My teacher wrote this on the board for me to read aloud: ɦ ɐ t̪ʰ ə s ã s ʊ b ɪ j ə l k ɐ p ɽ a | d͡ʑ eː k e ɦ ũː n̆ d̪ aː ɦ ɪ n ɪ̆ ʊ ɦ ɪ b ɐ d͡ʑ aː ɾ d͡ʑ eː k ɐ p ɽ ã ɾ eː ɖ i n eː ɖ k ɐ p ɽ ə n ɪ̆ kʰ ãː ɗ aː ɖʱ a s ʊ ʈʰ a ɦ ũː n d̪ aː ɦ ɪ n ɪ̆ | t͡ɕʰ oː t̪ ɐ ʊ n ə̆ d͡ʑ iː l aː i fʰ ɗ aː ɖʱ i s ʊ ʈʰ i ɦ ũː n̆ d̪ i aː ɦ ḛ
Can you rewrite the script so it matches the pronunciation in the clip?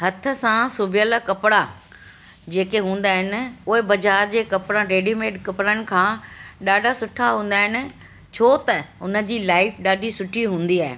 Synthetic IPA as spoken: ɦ ɐ t̪ʰ ə s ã s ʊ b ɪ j ə l k ɐ p ɽ a | d͡ʑ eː k e ɦ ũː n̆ d̪ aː ɦ ɪ n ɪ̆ ʊ ɦ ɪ b ɐ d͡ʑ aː ɾ d͡ʑ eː k ɐ p ɽ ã ɾ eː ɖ i m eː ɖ k ɐ p ɽ ə n ɪ̆ kʰ ãː ɗ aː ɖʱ a s ʊ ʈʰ a ɦ ũː n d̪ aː ɦ ɪ n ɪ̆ | t͡ɕʰ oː t̪ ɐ ʊ n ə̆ d͡ʑ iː l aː ɪ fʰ ɗ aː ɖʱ i s ʊ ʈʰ i ɦ ũː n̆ d̪ i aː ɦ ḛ